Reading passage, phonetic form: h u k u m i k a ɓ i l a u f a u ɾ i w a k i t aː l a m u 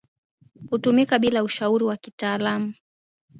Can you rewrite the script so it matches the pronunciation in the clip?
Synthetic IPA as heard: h u t u m i k a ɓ i l a u ʃ a u ɾ i w a k i t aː l a m u